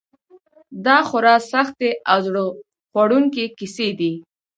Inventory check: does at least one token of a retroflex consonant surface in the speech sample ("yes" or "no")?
yes